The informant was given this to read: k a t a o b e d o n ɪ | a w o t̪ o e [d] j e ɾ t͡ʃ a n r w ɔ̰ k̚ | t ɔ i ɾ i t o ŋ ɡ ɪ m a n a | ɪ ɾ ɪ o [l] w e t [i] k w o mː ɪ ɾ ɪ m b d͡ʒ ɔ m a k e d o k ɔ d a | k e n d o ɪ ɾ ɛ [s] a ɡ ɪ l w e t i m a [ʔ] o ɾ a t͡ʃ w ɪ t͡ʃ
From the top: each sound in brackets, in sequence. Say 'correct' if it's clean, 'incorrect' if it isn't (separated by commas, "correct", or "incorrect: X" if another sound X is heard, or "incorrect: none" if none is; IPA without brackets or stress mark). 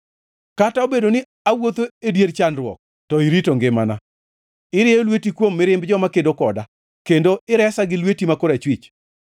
correct, correct, correct, correct, incorrect: k